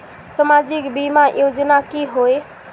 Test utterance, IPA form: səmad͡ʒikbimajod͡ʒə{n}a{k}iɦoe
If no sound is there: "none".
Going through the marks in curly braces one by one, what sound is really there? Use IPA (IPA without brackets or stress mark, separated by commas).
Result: n, k